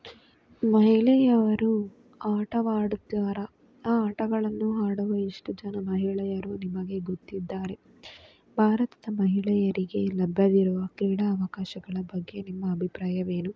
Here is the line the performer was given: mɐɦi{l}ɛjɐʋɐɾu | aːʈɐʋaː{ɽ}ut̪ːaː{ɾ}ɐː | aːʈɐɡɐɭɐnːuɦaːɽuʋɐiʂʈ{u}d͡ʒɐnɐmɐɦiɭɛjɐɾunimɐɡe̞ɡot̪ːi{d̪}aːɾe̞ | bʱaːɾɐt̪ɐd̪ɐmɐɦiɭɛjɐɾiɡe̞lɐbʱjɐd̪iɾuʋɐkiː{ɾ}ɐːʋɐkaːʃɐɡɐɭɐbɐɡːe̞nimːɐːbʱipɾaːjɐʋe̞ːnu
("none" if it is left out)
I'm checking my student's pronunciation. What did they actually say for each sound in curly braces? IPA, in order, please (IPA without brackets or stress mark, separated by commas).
ɭ, ɽ, ɾ, u, d̪ː, ɽ